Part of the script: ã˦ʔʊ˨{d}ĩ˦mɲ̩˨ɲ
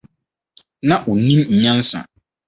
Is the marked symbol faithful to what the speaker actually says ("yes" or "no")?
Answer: no